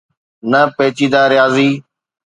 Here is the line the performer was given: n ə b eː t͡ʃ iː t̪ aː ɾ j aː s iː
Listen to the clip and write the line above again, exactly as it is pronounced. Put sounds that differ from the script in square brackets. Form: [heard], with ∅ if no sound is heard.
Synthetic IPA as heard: n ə [p] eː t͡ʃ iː [d̪] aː ɾ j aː [z] iː